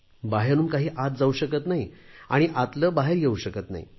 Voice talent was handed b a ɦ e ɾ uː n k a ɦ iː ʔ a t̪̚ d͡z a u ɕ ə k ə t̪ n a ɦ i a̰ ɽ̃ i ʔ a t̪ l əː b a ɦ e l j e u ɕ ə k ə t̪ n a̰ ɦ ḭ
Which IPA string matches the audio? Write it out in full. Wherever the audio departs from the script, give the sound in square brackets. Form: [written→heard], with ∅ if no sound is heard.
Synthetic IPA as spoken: b a ɦ e ɾ uː n k a ɦ iː ʔ a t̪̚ d͡z a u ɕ ə k ə t̪ n a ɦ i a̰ ɽ̃ i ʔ a t̪ l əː b a ɦ e [l→ɾ] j e u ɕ ə k ə t̪ n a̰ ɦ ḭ